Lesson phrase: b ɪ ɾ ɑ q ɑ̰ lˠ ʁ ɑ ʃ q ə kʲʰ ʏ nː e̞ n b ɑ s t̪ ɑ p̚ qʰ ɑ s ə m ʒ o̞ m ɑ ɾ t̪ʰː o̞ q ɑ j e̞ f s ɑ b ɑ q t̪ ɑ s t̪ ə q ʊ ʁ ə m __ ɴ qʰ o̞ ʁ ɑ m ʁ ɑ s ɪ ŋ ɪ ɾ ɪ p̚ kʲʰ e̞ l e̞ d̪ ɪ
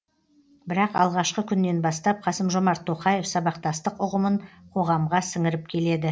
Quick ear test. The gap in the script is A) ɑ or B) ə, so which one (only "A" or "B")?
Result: B